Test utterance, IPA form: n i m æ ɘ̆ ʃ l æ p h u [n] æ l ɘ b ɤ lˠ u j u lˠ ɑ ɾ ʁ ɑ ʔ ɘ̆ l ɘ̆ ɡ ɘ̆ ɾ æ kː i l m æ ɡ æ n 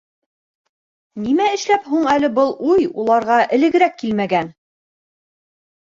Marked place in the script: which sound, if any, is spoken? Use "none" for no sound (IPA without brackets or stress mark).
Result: ɴ